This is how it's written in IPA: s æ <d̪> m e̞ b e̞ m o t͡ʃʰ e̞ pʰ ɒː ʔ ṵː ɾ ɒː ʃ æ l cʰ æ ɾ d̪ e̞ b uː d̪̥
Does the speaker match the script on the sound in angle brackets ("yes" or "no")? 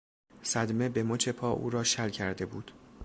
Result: yes